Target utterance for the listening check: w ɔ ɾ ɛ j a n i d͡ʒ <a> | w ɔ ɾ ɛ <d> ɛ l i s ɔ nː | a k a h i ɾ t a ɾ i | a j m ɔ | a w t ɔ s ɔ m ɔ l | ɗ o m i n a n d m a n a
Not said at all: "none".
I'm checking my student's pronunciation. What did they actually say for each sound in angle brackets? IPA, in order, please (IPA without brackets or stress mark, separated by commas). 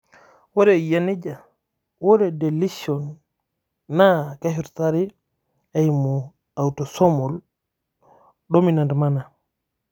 a, d